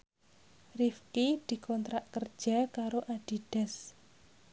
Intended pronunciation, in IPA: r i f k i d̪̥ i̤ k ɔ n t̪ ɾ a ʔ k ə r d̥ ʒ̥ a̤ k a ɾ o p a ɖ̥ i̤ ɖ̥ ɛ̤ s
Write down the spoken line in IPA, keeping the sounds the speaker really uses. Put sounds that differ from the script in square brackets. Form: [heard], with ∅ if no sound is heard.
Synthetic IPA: r i f k i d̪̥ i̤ k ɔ n t̪ ɾ a ʔ k ə r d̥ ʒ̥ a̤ k a ɾ o [ʔ] a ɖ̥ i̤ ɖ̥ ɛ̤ s